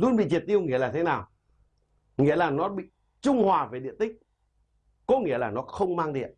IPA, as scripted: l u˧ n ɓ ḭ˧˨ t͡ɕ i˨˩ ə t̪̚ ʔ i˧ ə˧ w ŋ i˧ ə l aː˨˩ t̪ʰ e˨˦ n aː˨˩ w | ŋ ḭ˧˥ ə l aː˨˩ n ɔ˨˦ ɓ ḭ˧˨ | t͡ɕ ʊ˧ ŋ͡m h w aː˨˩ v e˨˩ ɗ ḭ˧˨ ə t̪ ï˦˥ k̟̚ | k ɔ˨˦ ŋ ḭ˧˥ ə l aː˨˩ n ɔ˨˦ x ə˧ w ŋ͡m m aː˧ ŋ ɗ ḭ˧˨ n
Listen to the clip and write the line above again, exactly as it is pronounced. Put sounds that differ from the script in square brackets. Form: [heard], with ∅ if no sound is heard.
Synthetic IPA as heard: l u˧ n ɓ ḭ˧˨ t͡ɕ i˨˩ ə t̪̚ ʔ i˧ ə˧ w ŋ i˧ ə l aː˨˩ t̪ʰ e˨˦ n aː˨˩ w | ŋ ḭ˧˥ ə l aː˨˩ n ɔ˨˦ ɓ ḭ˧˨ | t͡ɕ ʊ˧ ŋ͡m h w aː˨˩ v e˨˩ ɗ ḭ˧˨ ə t̪ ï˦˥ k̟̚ | k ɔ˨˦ ŋ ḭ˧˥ ə l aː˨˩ n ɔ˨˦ x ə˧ w ŋ͡m m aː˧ ŋ ɗ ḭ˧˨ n

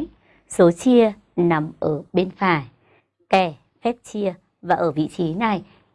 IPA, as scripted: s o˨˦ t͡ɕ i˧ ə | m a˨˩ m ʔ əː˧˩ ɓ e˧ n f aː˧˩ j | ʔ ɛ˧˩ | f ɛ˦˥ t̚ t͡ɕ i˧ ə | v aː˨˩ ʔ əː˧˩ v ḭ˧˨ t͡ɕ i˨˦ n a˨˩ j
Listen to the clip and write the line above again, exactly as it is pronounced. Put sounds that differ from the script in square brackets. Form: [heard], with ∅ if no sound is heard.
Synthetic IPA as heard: s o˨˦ t͡ɕ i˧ ə | [n] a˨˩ m ʔ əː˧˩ ɓ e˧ n f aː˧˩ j | [k] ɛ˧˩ | f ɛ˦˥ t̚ t͡ɕ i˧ ə | v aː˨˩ ʔ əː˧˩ v ḭ˧˨ t͡ɕ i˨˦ n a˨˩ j

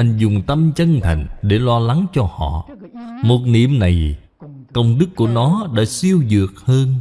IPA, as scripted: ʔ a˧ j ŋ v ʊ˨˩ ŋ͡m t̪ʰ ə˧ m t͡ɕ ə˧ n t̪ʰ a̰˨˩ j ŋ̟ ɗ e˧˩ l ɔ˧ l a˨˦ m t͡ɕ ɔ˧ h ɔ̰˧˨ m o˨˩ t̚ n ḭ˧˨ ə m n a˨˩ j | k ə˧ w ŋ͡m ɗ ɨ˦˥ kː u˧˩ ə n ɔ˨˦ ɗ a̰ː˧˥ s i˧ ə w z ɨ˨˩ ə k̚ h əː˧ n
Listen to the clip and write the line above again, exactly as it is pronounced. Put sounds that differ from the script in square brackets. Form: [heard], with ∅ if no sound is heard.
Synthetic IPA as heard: ʔ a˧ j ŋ [z] ʊ˨˩ ŋ͡m [t̪] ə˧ m t͡ɕ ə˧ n t̪ʰ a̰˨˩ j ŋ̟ ɗ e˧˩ l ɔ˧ l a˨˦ [ŋ] t͡ɕ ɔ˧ h ɔ̰˧˨ m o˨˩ t̚ n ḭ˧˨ ə m n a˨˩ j | k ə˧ w ŋ͡m ɗ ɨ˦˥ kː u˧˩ ə n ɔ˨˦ ɗ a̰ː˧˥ s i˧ ə w z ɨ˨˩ ə k̚ h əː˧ n

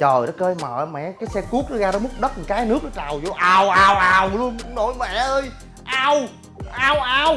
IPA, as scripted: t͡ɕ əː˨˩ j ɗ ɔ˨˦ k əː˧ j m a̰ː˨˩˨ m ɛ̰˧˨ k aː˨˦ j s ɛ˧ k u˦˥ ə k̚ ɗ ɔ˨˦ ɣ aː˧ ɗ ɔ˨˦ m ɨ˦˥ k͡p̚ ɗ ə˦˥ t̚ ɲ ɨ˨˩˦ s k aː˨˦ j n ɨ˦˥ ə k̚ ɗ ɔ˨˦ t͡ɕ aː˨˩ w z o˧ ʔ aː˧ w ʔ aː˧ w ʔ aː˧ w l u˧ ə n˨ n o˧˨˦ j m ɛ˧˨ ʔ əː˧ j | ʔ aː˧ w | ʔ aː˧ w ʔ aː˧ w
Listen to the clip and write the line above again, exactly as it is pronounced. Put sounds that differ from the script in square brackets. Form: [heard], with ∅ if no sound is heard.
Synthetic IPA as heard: t͡ɕ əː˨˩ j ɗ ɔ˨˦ k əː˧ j m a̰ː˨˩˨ m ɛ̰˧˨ k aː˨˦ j s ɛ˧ k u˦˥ ə k̚ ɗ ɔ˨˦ ɣ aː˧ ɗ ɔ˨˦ m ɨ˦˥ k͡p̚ ɗ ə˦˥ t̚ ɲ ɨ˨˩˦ [∅] k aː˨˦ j n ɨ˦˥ ə k̚ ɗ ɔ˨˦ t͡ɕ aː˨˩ w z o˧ ʔ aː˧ w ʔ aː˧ w ʔ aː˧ w l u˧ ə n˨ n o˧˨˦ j m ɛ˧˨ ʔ əː˧ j | ʔ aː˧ w | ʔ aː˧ w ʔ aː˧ w

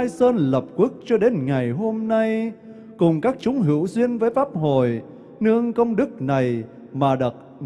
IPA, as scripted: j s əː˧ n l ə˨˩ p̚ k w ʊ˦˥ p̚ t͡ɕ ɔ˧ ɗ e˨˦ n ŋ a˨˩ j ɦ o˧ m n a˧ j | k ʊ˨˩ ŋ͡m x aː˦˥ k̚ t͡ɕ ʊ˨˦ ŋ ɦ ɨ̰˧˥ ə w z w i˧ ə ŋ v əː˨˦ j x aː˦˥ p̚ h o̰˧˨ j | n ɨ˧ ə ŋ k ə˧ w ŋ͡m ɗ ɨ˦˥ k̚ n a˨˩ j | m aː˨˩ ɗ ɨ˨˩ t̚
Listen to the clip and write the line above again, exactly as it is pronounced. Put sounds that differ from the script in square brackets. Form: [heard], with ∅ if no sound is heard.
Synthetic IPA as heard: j s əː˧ n l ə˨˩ p̚ k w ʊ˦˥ [k̚] t͡ɕ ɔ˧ ɗ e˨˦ n ŋ a˨˩ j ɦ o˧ m n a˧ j | k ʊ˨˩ ŋ͡m [k] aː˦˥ k̚ t͡ɕ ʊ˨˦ [ŋ͡m] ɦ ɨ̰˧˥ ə w z w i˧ ə [n] v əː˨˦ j [f] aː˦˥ p̚ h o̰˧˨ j | n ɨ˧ ə ŋ k ə˧ w ŋ͡m ɗ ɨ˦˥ k̚ n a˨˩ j | m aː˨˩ ɗ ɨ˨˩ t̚

